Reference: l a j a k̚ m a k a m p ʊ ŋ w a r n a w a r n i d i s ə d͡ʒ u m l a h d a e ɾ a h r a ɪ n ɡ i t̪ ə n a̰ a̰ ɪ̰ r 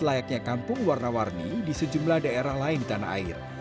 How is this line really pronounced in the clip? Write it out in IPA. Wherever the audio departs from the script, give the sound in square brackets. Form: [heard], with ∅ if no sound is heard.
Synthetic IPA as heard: l a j a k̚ [ɲ] a k a m p ʊ ŋ w a r n a w a r n i d i s ə d͡ʒ u m l a h d a e ɾ a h [l] a ɪ n [d] i t̪ [a] n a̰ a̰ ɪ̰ r

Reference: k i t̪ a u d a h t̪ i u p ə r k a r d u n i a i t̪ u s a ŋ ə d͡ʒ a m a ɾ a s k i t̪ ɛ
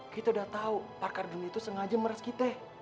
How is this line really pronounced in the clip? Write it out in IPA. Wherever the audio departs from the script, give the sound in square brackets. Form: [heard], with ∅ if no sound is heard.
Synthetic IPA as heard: k i t̪ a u d a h t̪ [a] u p [a] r k a r d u n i a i t̪ u s [ə] ŋ [a] d͡ʒ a m [ə] ɾ a s k i t̪ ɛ

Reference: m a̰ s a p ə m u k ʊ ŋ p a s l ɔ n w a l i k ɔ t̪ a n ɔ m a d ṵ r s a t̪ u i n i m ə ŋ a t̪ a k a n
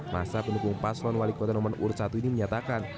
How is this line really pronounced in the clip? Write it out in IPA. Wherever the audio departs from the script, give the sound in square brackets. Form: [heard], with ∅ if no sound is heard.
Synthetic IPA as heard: m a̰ s a p ə [n] u k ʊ ŋ p a s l ɔ n w a l i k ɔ t̪ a n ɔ m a [n] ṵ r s a t̪ u i n i m ə [ɲ] a t̪ a k a n

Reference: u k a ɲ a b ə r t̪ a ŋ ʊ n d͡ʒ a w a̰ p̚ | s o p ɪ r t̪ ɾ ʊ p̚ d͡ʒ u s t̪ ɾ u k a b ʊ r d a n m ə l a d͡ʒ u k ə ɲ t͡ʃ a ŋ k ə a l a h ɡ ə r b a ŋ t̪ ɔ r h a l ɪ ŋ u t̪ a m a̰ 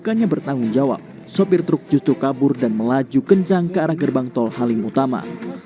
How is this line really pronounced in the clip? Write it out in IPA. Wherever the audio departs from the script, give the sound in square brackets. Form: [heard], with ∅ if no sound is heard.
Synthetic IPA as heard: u k a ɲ a b ə r t̪ a ŋ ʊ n d͡ʒ a w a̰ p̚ | s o p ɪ r t̪ ɾ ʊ [k̚] d͡ʒ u s t̪ ɾ u k a b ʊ r d a n m ə l a d͡ʒ u k ə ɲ t͡ʃ a ŋ k ə a [ɾ] a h ɡ ə r b a ŋ t̪ ɔ [l] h a l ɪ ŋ u t̪ a m a̰

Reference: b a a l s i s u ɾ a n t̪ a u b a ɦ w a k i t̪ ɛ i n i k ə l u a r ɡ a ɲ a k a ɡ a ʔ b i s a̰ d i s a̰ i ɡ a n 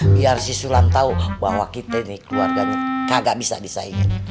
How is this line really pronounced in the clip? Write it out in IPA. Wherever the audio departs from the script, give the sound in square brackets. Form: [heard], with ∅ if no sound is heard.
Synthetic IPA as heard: b [i] a [r] s i s u [l] a n t̪ a u b a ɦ w a k i t̪ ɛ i n i k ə l u a r ɡ a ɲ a k a ɡ a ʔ b i s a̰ d i s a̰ i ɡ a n

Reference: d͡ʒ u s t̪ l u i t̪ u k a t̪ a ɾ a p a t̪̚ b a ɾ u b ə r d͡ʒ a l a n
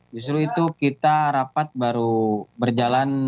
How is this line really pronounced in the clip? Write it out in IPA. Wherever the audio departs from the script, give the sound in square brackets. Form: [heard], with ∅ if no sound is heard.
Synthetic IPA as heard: d͡ʒ u s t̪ [ɾ] u i t̪ u k [i] t̪ a ɾ a p a t̪̚ b a ɾ u b ə r d͡ʒ a l a n

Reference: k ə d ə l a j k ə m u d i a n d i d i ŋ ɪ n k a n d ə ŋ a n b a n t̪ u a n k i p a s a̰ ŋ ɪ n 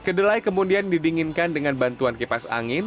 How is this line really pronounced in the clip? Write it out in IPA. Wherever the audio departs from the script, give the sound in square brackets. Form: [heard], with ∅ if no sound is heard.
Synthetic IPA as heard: k ə d ə l a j k ə m u d i a n d i d i ŋ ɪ n k a n d ə ŋ a n b a n t̪ u a n k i p a s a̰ ŋ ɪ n

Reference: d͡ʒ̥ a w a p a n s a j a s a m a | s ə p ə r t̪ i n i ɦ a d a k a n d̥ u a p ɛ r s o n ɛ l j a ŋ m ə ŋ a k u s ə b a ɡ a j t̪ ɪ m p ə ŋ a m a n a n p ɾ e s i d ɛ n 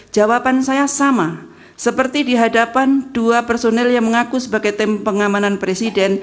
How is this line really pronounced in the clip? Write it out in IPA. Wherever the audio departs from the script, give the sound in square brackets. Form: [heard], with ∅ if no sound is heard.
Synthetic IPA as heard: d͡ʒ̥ a w a p a n s a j a s a m a | s ə p ə r t̪ i [d] i ɦ a d a [p] a n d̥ u a p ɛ r s o n ɛ l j a ŋ m ə ŋ a k u s ə b a ɡ a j t̪ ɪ m p ə ŋ a m a n a n p ɾ e s i d ɛ n

